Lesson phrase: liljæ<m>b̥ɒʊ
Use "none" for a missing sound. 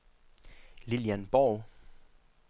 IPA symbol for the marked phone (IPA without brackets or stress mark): n